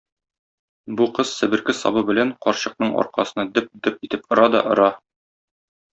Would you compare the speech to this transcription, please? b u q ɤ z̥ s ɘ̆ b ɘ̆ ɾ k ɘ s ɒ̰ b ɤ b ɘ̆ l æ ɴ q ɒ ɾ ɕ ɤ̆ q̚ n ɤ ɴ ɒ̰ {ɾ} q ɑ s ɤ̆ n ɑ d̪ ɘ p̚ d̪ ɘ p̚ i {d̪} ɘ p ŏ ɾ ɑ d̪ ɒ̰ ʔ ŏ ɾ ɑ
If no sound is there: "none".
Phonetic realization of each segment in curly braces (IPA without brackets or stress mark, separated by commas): ɾ, t̪